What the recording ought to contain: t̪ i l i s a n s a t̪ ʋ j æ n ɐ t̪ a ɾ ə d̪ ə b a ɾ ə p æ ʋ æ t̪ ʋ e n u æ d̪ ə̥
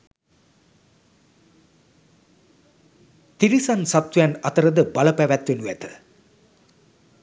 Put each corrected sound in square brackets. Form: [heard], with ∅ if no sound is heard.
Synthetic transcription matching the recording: t̪ i [ɾ] i s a n s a t̪ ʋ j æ n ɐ t̪ [ə] ɾ ə d̪ ə b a [l] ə p æ ʋ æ t̪ ʋ e n u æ [t̪] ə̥